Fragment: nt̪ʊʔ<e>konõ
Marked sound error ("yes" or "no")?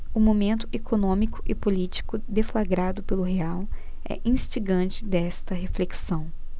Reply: no